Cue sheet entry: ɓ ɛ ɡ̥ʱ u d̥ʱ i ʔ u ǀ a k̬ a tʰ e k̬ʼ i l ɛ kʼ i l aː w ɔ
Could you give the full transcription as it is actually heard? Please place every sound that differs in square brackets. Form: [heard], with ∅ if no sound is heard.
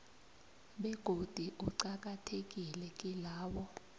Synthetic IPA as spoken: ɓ ɛ ɡ̥ʱ [o] d̥ʱ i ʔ u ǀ a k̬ a tʰ e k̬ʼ i l ɛ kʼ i l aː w ɔ